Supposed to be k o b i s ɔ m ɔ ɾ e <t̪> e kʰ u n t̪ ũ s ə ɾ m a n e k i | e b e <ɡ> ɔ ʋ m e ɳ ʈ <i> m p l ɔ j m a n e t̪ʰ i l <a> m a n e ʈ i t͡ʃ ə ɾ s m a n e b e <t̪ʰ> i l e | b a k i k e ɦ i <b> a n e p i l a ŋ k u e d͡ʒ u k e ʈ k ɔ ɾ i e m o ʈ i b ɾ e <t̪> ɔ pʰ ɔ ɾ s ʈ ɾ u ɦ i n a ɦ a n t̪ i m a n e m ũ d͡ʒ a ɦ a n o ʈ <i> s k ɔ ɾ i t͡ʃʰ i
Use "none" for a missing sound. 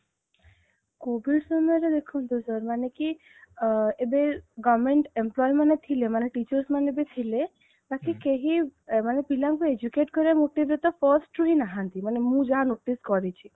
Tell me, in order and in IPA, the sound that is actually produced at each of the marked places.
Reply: d̪, ɡ, e, e, t̪ʰ, m, t̪, i

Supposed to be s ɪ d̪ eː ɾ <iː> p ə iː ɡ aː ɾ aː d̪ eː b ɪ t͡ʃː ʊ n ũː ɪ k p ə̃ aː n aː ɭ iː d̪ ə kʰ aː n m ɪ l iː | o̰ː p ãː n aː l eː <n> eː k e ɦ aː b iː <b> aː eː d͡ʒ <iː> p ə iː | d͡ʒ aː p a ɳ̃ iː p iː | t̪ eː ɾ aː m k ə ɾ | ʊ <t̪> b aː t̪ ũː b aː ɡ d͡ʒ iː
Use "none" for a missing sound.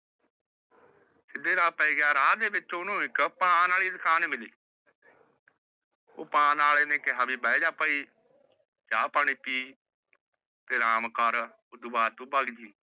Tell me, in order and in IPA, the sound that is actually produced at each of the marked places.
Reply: aː, n, b, aː, d̪

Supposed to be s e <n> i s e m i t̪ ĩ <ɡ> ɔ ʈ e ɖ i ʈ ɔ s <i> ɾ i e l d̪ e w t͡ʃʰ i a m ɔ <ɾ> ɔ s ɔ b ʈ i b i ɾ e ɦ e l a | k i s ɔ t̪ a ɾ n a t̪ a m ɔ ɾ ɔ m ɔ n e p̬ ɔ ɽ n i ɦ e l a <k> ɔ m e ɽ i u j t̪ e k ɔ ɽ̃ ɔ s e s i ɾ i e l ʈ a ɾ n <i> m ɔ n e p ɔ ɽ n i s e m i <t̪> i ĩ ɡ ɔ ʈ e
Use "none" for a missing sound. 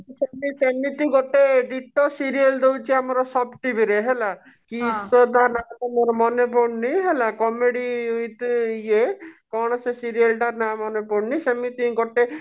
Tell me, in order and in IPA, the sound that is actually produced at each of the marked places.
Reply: m, ɡ, i, ɾ, k, a, t̪

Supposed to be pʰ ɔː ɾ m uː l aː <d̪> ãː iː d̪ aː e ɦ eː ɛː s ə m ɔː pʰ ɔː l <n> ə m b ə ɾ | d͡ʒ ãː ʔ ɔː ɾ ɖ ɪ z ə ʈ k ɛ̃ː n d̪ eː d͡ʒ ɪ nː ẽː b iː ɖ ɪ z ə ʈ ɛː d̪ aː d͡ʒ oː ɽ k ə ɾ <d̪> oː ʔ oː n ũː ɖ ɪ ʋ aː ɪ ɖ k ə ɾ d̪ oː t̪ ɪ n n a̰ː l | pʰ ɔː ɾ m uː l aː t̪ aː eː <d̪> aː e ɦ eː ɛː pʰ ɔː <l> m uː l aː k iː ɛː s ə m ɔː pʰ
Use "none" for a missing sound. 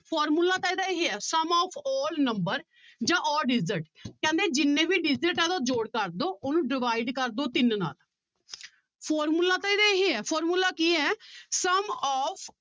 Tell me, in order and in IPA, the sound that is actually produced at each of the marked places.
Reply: t̪, n, d̪, d̪, ɾ

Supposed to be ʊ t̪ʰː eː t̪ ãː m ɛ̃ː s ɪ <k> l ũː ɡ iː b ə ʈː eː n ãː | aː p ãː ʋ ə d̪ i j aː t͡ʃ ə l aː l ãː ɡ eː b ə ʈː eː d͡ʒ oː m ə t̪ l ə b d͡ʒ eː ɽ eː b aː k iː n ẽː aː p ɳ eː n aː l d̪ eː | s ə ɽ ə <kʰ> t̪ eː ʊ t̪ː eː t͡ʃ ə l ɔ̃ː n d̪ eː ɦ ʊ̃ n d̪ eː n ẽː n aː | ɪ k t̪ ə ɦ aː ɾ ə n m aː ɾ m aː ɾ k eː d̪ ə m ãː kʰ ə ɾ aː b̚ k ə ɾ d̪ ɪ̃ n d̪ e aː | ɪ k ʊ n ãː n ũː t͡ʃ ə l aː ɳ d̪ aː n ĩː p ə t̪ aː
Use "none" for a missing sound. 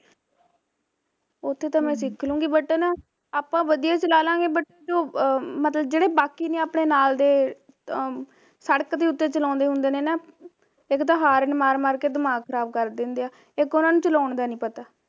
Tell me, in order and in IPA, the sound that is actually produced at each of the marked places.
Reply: kʰ, k

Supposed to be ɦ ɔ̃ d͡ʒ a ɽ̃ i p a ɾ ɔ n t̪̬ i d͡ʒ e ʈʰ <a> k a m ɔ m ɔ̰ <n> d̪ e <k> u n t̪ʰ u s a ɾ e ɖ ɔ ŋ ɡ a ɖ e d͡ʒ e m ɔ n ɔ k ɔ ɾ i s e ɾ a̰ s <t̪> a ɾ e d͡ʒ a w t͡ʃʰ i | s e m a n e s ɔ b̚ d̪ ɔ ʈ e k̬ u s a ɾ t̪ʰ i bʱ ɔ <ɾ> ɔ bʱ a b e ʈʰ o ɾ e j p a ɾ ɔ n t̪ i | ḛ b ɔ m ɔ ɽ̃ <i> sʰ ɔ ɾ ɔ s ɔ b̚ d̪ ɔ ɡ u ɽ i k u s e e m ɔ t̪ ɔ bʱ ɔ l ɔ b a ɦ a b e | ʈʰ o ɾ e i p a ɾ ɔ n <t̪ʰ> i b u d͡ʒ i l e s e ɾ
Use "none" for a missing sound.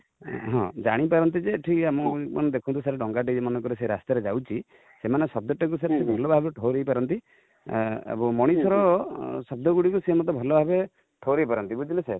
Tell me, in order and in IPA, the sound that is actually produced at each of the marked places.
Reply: i, n, kʰ, t̪, l, i, t̪

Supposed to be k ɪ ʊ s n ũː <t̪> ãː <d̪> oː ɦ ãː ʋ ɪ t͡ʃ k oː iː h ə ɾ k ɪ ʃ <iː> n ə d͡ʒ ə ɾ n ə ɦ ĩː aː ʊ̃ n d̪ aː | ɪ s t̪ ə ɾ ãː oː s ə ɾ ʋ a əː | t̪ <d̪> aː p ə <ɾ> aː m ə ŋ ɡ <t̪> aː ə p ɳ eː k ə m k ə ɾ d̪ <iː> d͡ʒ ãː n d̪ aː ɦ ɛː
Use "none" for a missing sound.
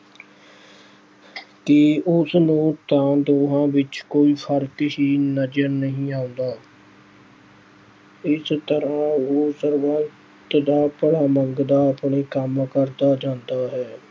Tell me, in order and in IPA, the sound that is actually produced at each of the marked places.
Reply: t̪, d̪, iː, d̪, ɽ, d̪, aː

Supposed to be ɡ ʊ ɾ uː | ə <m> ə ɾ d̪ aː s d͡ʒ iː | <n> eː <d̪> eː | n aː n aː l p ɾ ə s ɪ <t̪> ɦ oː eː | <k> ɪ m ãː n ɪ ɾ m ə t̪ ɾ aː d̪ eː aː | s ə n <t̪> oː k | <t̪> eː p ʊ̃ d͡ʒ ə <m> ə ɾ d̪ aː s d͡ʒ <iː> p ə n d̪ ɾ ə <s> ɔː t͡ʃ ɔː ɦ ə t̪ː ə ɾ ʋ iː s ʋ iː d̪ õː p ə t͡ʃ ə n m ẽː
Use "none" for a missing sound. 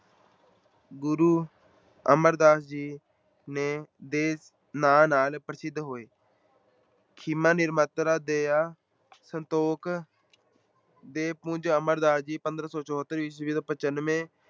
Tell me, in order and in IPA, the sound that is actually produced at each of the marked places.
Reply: m, n, d̪, d̪, kʰ, t̪, d̪, m, iː, s

